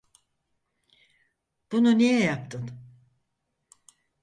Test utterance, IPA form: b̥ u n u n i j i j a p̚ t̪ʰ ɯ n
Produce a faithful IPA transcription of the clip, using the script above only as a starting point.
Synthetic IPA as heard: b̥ u n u n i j ɛ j a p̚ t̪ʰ ɯ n